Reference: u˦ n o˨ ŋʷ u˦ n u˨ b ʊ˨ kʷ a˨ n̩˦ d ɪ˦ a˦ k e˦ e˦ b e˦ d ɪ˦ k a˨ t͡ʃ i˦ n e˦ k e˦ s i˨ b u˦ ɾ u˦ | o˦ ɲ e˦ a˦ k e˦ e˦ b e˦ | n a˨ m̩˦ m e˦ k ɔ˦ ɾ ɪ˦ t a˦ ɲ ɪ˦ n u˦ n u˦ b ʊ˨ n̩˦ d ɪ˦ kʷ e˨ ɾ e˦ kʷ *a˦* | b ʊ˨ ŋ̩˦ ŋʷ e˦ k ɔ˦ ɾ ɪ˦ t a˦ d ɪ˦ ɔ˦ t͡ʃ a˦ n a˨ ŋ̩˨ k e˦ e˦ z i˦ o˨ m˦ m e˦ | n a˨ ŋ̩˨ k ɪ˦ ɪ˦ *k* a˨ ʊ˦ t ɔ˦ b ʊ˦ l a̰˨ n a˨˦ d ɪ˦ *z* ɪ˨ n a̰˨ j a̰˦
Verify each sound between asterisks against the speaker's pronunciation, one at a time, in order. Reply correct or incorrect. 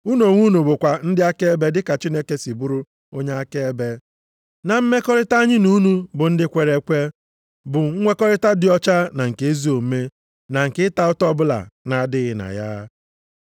incorrect, incorrect, incorrect

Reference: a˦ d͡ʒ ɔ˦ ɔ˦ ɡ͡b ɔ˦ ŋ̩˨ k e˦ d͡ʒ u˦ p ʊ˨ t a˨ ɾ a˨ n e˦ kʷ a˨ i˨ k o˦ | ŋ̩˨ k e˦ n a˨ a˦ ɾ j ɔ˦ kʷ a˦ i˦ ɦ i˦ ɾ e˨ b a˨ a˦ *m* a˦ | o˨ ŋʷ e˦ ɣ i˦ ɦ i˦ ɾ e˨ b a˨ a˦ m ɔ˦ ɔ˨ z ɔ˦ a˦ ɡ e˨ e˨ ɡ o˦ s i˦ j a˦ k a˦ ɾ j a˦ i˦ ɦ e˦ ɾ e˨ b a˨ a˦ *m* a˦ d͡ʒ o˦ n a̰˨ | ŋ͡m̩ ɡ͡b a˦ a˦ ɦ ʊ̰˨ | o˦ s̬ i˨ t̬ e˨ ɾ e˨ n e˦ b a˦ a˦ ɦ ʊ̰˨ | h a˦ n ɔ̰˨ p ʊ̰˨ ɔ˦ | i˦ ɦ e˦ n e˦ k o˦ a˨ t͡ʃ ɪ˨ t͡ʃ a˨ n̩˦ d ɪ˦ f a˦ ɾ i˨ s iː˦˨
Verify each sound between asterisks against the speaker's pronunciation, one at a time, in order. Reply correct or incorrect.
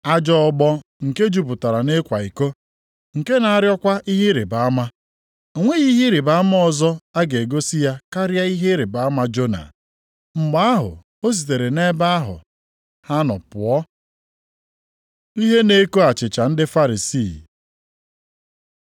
correct, correct

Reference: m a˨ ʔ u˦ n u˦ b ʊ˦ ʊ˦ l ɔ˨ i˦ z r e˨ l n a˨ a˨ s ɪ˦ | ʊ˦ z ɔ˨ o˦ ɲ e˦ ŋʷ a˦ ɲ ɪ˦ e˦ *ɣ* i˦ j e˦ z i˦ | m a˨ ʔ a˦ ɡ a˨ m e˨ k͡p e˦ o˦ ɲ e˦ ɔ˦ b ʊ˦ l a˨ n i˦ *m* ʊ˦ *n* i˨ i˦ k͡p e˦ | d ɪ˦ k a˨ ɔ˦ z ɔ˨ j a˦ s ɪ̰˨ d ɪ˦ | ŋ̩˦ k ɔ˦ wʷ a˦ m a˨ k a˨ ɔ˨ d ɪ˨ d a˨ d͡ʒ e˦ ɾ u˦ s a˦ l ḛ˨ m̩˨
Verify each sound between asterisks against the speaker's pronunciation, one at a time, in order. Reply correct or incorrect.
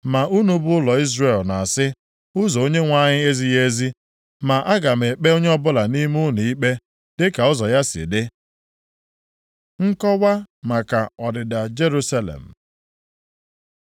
incorrect, correct, correct

